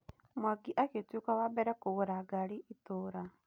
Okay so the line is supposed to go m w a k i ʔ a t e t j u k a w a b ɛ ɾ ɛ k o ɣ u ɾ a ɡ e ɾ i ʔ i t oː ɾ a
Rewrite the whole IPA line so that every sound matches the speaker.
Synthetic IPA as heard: m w a ɡ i ʔ a k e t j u k a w a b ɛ ɾ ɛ k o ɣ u ɾ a ɡ a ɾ i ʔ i t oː ɾ a

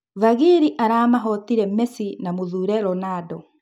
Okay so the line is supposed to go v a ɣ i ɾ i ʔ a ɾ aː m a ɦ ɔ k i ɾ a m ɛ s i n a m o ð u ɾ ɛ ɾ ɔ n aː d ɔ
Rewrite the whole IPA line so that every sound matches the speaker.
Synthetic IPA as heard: v a ɣ i ɾ i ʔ a ɾ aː m a ɦ ɔ t i ɾ ɛ m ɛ s i n a m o ð u ɾ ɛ ɾ ɔ n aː d ɔ

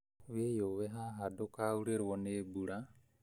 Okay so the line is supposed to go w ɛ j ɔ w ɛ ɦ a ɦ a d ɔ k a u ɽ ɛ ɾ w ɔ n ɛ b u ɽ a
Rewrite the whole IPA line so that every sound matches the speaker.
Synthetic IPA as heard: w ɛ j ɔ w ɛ ɦ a ɦ a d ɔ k a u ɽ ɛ ɾ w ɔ n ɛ b u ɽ a

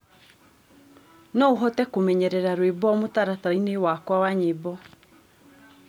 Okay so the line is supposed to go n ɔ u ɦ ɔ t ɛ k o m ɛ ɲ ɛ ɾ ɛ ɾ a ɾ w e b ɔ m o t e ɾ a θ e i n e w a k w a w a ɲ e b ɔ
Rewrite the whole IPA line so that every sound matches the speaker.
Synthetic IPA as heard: n ɔ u ɦ ɔ t ɛ k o m ɛ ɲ ɛ ɾ ɛ ɾ a ɾ w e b ɔ m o t a ɾ a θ a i n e w a k w a w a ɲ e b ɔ

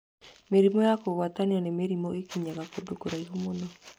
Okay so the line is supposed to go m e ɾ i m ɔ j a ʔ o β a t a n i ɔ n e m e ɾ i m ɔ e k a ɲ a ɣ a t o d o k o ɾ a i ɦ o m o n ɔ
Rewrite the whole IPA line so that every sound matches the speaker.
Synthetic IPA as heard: m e ɾ i m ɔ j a k o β a t a n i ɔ n e m e ɾ i m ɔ e k i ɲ a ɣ a k o d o k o ɾ a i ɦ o m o n ɔ

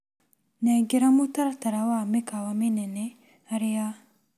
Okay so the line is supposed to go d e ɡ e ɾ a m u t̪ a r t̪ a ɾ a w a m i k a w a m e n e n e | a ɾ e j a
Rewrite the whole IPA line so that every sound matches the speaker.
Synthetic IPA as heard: n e ɡ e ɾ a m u t̪ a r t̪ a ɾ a w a m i k a w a m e n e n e | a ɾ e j a

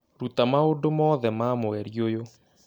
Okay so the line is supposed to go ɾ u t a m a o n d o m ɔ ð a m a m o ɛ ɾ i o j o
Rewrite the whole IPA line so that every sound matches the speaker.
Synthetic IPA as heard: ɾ u t a m a o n d o m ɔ ð ɛ m a m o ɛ ɾ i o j o

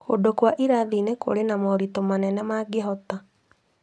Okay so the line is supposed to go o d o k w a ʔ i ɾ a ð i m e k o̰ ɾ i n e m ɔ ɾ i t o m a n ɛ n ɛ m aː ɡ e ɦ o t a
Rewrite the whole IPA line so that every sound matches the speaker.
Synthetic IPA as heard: o d o k w a ʔ i ɾ a ð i n e k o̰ ɾ e n a m ɔ ɾ i t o m a n ɛ n ɛ m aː ɡ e ɦ ɔ t a

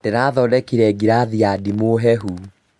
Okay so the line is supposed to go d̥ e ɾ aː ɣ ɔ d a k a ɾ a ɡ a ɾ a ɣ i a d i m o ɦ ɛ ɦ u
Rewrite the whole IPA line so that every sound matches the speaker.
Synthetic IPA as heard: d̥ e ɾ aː ð ɔ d ɛ k i ɾ ɛ ɡ i ɾ a ð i a d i m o ɦ ɛ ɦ u

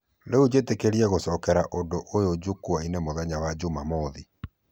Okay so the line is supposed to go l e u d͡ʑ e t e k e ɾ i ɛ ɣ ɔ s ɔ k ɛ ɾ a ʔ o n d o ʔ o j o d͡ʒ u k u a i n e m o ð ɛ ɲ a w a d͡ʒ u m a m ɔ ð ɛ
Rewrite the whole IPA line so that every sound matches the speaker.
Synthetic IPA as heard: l e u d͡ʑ e t e k e ɾ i ɛ ɣ o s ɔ k ɛ ɾ a ʔ o n d o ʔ o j o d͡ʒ u k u a i n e m o ð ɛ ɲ a w a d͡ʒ u m a m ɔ ð i

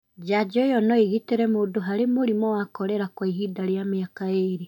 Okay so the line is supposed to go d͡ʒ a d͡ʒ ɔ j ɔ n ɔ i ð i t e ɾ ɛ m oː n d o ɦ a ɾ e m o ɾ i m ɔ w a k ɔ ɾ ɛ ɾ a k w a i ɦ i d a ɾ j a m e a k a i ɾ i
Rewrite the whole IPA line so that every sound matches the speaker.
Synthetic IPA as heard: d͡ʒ a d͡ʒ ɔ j ɔ n ɔ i ɣ i t e ɾ ɛ m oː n d o ɦ a ɾ e m o ɾ i m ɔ w a k ɔ ɾ ɛ ɾ a k w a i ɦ i d a ɾ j a m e a k a e ɾ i

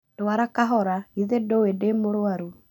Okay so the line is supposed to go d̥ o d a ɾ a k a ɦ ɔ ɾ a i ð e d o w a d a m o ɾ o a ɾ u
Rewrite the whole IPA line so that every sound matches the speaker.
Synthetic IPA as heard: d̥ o a ɾ a k a ɦ ɔ ɾ a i ð e d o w e d e m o ɾ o a ɾ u

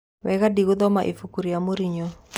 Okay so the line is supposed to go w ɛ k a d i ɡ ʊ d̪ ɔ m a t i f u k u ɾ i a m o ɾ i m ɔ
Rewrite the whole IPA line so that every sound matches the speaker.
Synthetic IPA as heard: w ɛ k a d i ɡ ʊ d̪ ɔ m a ʔ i f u k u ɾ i a m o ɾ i ɲ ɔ

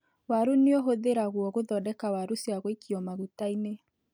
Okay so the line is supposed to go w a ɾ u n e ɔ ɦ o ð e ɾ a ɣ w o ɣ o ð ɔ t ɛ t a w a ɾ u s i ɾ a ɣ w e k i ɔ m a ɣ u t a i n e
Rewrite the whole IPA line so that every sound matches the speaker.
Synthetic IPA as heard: w a ɾ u n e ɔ ɦ o ð e ɾ a ɣ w ɔ ɣ o ð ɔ d ɛ k a w a ɾ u s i a ɣ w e k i ɔ m a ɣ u t a i n e

